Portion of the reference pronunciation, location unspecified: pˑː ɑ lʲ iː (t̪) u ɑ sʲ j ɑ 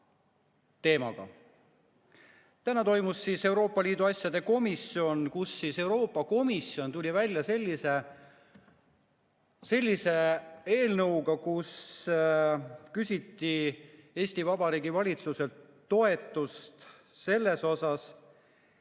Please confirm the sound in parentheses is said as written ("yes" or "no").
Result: no